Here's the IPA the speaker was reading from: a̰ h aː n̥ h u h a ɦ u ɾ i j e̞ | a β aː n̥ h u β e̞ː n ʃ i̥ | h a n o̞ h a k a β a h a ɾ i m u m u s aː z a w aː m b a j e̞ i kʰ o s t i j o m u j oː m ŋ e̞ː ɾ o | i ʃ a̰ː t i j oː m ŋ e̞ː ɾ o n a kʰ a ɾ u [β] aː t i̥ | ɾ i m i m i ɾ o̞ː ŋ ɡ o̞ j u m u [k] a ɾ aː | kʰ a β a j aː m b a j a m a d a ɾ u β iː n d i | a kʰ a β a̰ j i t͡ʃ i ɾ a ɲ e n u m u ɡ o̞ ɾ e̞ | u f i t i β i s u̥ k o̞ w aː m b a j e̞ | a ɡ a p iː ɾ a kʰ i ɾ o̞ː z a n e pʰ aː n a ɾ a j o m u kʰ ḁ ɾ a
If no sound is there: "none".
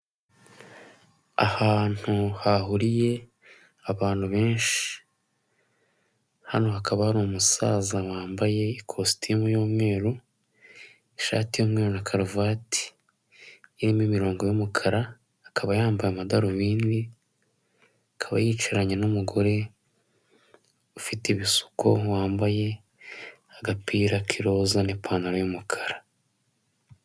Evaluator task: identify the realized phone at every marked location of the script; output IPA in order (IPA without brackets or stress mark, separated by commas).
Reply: v, kʰ